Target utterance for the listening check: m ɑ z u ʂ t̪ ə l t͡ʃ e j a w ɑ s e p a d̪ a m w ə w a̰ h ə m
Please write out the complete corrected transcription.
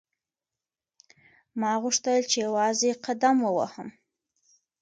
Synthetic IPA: m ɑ ɣ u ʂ t̪ ə l t͡ʃ e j a w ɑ z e q a d̪ a m w ə w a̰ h ə m

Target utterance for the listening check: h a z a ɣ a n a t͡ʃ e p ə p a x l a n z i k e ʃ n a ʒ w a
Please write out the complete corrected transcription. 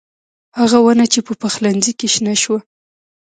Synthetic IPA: h a ɣ a w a n a t͡ʃ e p ə p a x l a n z i k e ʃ n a ʃ w a

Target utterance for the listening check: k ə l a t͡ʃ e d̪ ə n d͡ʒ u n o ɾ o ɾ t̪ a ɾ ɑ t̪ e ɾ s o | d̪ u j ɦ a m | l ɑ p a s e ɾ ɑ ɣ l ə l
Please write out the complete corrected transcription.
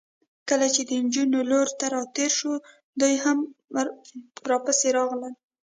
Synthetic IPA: k ə l a t͡ʃ e d̪ ə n d͡ʒ u n o l o ɾ t̪ a ɾ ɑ t̪ e ɾ ʃ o | d̪ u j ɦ a m | ɾ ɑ p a s e ɾ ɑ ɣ l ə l

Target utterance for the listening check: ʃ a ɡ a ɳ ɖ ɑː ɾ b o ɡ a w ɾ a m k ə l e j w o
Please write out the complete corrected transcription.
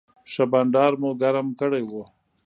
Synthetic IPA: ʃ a b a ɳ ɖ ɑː ɾ m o ɡ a ɾ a m k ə ɽ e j w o

